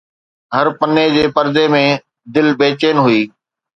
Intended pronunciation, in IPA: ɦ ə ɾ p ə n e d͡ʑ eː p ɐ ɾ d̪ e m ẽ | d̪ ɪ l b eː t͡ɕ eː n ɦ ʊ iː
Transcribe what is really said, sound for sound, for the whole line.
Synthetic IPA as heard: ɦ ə ɾ p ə n e d͡ʑ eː p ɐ ɾ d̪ e m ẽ | d̪ ɪ l b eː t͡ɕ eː n ɦ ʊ iː